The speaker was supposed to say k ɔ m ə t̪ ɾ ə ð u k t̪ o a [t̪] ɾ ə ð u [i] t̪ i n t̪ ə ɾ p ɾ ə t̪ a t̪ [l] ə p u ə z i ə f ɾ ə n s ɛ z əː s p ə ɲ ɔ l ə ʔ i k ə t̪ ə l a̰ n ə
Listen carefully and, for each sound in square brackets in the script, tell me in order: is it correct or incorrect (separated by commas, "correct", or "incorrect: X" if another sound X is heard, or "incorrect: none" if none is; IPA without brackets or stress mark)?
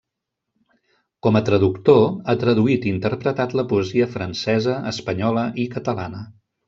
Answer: correct, correct, correct